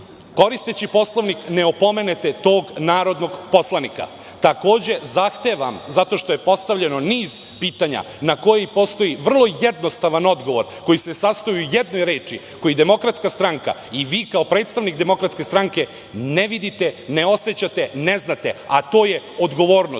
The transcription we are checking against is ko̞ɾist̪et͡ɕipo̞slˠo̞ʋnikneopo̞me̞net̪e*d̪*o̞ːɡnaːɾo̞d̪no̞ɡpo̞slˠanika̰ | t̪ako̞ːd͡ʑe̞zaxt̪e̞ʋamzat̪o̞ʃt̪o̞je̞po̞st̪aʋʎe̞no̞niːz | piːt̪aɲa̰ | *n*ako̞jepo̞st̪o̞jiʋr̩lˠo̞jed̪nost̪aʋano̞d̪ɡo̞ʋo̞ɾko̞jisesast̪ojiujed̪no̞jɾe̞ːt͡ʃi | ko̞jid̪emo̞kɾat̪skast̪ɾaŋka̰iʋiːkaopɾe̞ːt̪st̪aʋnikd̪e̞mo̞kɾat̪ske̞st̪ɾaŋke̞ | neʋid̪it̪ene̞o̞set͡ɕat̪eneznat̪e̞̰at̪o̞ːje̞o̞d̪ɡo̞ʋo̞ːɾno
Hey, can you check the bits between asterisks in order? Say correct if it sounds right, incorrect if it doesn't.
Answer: incorrect, correct

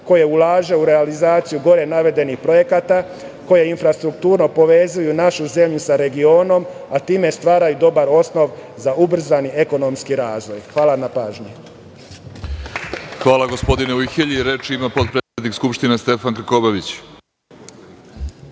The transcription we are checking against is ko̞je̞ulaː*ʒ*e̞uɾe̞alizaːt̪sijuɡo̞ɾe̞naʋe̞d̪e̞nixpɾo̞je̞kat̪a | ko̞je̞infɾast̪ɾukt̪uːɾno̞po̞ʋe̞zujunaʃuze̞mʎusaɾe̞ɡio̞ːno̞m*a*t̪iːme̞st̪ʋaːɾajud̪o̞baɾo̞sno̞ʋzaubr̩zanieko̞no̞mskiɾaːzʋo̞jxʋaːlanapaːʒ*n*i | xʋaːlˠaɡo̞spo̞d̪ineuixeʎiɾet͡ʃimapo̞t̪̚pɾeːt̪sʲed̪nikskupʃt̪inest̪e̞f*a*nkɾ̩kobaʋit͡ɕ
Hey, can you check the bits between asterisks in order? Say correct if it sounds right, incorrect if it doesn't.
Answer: correct, correct, incorrect, correct

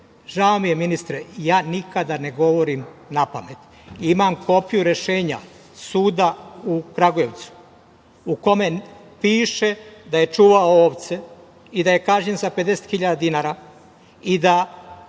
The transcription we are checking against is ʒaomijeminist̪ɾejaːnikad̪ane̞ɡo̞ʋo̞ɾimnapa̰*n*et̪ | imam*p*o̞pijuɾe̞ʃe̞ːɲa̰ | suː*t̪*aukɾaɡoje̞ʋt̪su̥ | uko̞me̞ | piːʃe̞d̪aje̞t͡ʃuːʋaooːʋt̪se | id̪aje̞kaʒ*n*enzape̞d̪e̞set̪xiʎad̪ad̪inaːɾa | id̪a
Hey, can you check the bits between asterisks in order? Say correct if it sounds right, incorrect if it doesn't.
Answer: incorrect, incorrect, incorrect, incorrect

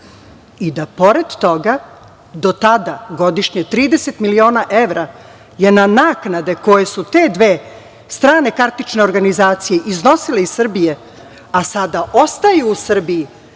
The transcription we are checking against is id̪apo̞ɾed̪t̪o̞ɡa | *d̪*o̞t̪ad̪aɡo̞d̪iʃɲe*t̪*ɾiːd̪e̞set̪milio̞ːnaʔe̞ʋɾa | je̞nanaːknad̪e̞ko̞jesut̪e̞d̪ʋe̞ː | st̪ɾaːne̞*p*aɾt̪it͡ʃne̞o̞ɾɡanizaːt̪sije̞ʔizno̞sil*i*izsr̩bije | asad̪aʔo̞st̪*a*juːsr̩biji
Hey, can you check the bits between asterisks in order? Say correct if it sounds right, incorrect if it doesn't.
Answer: correct, correct, incorrect, incorrect, correct

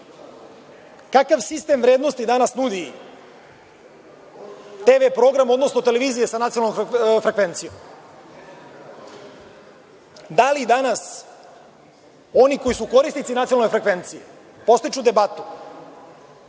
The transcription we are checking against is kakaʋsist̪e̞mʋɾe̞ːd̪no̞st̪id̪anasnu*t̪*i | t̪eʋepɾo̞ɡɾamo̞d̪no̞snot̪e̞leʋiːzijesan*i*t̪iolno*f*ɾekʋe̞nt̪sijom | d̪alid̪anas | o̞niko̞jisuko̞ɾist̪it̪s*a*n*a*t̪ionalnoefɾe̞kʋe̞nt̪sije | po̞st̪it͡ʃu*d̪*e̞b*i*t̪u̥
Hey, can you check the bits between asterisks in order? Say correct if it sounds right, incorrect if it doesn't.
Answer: incorrect, incorrect, correct, incorrect, correct, correct, incorrect

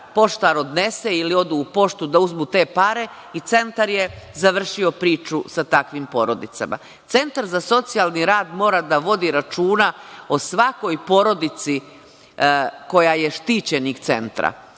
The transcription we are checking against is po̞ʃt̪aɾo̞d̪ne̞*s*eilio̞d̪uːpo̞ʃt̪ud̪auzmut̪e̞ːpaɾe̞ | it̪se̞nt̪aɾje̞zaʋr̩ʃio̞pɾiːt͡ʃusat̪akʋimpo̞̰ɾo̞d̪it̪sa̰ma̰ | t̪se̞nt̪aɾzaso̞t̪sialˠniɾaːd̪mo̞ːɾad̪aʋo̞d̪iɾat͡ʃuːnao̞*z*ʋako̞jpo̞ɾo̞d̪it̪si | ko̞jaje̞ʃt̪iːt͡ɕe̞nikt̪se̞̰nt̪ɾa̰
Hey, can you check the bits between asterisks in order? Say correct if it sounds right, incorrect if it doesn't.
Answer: correct, incorrect

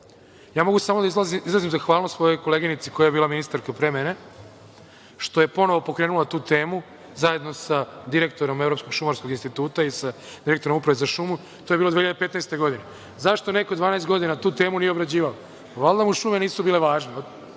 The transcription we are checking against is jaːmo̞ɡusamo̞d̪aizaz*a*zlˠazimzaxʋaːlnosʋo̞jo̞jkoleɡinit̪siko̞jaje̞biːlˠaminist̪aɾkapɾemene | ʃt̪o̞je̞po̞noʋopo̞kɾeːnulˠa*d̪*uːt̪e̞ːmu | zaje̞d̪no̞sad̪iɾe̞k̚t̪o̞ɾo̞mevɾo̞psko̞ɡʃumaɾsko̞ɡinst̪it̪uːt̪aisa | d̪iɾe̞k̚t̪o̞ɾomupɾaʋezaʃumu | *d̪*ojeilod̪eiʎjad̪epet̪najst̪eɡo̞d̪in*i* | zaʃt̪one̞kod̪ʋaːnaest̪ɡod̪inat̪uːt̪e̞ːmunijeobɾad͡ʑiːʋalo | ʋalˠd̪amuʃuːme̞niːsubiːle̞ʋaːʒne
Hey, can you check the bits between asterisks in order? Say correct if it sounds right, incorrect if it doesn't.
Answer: incorrect, incorrect, incorrect, incorrect

